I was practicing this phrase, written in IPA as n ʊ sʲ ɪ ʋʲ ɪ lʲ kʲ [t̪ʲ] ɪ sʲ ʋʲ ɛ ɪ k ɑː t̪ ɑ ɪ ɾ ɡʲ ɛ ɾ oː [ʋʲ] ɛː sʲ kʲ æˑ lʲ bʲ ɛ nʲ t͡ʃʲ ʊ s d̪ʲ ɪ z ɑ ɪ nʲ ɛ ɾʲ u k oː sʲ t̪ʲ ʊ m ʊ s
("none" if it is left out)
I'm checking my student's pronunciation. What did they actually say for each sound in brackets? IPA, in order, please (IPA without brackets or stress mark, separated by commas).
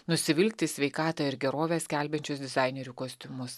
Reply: t̪ʲ, ʋʲ